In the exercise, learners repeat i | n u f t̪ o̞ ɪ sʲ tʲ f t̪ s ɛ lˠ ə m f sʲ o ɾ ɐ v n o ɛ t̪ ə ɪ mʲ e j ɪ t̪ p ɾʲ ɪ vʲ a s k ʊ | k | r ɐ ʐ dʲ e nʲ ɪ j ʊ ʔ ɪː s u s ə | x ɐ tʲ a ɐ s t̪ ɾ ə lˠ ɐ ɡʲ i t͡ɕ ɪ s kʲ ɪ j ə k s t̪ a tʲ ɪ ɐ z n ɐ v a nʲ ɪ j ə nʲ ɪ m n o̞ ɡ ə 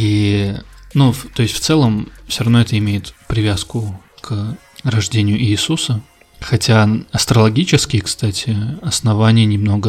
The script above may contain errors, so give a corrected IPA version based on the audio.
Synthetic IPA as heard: i | n u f t̪ o̞ ɪ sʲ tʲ f t̪ s ɛ lˠ ə m f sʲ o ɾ ɐ v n o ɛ t̪ ə ɪ mʲ e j ɪ t̪ p ɾʲ ɪ vʲ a s k ʊ | k | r ɐ ʐ dʲ e nʲ ɪ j ʊ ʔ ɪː s u s ə | x ɐ tʲ a ɐ s t̪ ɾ ə lˠ ɐ ɡʲ i t͡ɕ ɪ s kʲ ɪ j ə k s t̪ a tʲ ɪ ɐ s n ɐ v a nʲ ɪ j ə nʲ ɪ m n o̞ ɡ ə